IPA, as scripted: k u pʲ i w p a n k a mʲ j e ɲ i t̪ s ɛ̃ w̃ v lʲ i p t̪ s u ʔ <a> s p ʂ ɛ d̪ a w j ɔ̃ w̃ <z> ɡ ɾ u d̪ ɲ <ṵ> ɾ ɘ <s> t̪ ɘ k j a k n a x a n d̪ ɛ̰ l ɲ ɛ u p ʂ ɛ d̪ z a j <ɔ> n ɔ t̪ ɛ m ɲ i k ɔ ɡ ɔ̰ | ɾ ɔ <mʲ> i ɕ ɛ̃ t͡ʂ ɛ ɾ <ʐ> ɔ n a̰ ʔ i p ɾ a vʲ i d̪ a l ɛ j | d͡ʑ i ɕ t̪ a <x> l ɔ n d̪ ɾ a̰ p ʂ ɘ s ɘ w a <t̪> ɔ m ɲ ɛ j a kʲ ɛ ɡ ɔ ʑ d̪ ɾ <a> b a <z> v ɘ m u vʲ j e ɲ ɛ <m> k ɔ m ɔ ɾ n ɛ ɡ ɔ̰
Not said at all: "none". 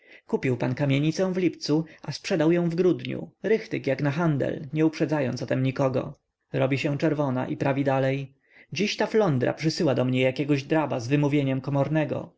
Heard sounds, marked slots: a, v, ṵ, x, ɔ, bʲ, v, f, d̪, a, z, m

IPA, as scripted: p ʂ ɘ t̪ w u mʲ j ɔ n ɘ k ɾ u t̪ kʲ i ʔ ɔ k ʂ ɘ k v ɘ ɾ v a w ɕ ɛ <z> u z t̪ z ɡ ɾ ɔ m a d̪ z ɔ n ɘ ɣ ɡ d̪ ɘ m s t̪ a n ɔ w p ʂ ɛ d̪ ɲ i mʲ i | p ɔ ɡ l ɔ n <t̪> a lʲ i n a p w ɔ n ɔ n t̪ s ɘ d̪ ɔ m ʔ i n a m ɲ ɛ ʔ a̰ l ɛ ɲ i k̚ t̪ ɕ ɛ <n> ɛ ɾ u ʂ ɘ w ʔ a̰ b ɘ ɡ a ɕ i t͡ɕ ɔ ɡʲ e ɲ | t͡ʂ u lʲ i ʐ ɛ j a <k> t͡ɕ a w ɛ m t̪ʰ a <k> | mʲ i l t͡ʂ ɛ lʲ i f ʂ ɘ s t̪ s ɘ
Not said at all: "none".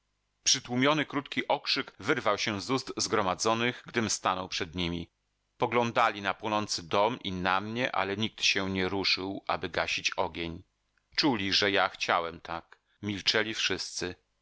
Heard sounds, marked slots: z, d̪, ɲ, x, k

